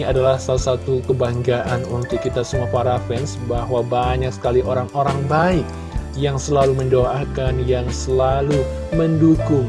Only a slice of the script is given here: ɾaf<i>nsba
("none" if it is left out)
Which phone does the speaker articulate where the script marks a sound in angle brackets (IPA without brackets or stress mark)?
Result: ɛ